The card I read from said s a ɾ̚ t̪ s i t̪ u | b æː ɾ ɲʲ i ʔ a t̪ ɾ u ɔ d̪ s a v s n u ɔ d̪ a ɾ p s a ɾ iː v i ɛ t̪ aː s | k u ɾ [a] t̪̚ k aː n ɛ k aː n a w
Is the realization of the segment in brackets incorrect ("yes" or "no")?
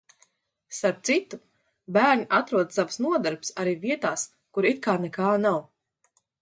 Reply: yes